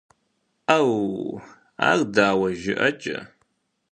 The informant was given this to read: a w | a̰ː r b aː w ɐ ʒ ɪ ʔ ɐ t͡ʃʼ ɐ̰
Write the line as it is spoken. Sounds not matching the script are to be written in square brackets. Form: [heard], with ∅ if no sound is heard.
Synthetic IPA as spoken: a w | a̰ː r [d] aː w ɐ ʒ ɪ ʔ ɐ t͡ʃʼ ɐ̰